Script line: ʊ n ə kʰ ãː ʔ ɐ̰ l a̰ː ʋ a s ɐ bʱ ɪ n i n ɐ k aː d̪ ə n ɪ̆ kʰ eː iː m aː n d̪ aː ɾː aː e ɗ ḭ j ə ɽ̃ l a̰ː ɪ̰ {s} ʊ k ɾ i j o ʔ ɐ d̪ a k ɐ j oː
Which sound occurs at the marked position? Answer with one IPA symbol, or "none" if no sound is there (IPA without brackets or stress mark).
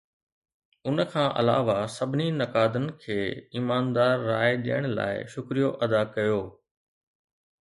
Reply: ʃ